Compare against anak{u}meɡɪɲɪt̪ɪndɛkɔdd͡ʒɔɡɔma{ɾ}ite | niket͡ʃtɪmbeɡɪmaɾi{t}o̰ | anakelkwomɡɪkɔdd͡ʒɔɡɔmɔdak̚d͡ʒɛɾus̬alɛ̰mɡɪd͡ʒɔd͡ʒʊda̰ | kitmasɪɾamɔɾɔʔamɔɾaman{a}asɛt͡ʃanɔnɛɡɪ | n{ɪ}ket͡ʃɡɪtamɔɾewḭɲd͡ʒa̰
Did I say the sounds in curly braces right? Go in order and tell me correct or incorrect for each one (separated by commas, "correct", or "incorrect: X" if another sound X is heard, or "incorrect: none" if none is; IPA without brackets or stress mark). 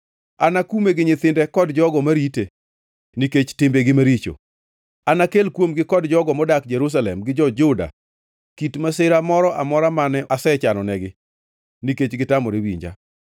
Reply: correct, correct, incorrect: t͡ʃ, incorrect: ɛ, incorrect: i